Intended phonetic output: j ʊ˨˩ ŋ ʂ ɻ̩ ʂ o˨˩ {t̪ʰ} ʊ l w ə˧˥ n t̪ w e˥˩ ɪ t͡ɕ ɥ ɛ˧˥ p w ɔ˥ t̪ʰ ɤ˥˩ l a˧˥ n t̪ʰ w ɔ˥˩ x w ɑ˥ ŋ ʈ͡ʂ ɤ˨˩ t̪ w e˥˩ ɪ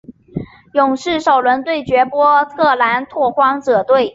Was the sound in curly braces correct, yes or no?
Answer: no